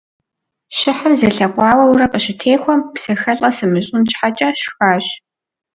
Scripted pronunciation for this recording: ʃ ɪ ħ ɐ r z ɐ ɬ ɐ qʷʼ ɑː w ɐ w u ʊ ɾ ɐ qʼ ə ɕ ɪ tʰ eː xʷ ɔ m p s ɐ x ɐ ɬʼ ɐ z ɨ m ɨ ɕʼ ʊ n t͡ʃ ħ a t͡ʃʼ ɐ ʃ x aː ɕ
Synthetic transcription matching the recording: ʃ ɪ ħ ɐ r z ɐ ɬ ɐ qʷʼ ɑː w ɐ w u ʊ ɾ ɐ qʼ ə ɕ ɪ tʰ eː xʷ ɔ m p s ɐ x ɐ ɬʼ ɐ s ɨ m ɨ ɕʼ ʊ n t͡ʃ ħ a t͡ʃʼ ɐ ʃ x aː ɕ